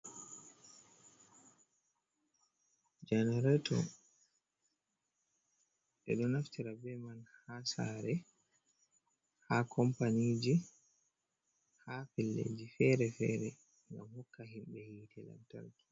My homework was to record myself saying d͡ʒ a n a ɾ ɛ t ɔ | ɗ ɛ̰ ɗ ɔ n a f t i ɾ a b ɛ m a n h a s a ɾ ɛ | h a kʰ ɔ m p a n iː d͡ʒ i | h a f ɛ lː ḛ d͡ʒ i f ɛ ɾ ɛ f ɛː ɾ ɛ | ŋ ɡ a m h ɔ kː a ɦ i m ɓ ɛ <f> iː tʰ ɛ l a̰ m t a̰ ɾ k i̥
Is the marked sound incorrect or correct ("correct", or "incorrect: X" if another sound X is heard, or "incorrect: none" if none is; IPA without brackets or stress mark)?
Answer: incorrect: h